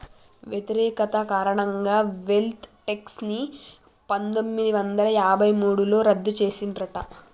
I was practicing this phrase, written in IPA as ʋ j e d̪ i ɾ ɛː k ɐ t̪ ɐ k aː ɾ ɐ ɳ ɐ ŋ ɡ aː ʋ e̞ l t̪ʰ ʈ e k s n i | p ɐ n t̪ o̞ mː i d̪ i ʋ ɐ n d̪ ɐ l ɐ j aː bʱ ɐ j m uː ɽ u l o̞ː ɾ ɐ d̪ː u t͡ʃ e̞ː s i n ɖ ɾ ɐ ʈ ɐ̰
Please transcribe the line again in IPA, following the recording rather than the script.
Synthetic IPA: ʋ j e t̪ i ɾ ɛː k ɐ t̪ ɐ k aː ɾ ɐ ɳ ɐ ŋ ɡ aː ʋ e̞ l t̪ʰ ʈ e k s n i | p ɐ n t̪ o̞ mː i d̪ i ʋ ɐ n d̪ ɐ l ɐ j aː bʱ ɐ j m uː ɽ u l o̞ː ɾ ɐ d̪ː u t͡ʃ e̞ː s i n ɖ ɾ ɐ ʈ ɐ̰